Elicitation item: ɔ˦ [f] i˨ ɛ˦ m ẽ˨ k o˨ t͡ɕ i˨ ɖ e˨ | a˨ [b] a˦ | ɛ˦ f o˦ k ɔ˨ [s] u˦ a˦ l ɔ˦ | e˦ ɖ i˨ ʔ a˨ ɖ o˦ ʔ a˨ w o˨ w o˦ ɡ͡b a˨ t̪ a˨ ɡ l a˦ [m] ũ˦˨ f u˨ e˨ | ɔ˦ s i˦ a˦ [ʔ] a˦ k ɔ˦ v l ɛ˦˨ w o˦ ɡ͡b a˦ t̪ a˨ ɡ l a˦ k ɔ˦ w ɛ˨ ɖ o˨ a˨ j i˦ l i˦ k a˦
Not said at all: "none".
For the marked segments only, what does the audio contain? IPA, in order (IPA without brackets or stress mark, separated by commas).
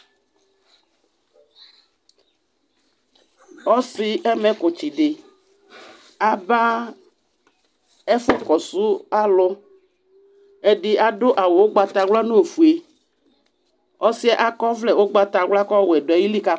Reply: s, b, s, n, ʔ